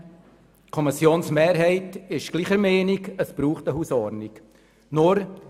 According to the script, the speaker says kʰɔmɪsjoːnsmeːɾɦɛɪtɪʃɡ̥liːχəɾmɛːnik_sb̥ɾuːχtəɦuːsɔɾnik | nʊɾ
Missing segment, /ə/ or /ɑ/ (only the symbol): ə